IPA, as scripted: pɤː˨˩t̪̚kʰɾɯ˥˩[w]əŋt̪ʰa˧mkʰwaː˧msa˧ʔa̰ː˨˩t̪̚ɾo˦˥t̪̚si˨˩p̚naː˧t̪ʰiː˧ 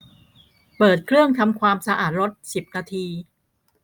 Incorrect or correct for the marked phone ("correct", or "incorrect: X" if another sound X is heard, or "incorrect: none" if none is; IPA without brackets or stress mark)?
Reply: incorrect: none